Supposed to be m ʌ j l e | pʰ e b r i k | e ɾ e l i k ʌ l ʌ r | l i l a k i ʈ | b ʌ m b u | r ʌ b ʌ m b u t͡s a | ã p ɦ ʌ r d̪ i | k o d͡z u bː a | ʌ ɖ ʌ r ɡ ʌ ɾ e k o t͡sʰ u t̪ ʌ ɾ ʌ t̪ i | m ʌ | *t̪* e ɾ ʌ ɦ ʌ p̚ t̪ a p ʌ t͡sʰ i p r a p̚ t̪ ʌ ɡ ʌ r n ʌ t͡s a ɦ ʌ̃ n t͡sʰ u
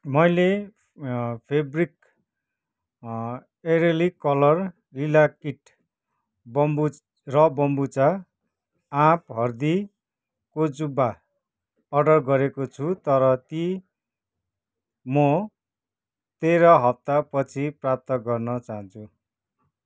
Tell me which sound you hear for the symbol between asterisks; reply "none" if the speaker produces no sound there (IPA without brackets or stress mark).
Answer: t̪